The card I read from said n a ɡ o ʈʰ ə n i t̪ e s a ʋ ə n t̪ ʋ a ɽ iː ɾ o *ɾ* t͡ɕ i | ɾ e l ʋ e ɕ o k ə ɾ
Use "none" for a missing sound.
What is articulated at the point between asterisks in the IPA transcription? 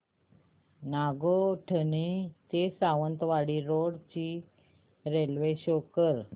ɽ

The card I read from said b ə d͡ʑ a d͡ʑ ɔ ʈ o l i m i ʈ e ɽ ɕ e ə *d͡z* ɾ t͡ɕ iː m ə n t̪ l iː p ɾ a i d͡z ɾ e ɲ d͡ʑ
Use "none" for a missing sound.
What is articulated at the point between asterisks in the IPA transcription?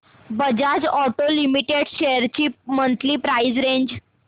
none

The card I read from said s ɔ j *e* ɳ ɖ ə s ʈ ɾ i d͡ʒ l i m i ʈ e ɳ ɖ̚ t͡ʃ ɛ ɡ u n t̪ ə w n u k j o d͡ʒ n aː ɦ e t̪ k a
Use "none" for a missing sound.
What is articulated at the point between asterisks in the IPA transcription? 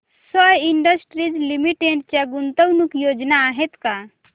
i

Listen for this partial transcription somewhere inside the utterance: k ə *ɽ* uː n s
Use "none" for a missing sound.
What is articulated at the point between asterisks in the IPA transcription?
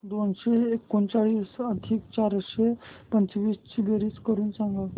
ɾ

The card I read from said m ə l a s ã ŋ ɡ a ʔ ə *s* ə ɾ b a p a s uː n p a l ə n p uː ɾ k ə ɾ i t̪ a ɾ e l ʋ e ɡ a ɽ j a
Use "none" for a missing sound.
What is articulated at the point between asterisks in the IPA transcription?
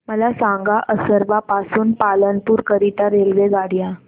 s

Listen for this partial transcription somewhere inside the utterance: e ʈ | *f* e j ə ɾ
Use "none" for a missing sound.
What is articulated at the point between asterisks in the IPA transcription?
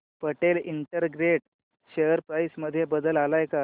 ɕ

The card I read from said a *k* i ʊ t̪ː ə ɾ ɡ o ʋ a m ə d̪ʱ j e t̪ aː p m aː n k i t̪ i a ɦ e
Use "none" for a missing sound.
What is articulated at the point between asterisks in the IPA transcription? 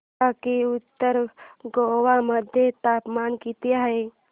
k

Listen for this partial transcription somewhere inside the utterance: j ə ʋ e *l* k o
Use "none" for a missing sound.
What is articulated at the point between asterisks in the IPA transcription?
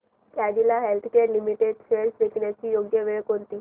ɭ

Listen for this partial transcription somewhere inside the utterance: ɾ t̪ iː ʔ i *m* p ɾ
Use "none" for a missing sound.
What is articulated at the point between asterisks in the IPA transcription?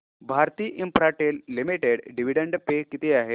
m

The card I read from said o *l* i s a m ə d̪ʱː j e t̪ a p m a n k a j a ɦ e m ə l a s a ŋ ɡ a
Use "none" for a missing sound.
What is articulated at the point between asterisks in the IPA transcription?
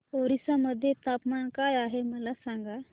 ɾ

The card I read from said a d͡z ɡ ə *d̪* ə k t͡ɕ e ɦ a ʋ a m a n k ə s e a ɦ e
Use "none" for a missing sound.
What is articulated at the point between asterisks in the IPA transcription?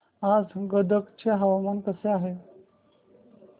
d̪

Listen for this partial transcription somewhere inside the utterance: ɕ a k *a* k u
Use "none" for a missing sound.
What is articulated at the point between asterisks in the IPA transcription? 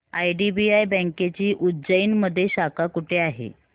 a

